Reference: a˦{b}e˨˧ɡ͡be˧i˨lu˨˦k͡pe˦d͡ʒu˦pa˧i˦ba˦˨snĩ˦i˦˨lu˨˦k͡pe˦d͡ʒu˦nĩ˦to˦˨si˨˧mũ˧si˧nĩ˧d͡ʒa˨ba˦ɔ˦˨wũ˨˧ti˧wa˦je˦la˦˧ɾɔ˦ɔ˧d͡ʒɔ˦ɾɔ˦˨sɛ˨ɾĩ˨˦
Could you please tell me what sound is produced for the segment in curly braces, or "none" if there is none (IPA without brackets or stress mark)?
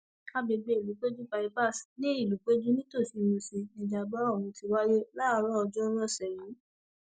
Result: b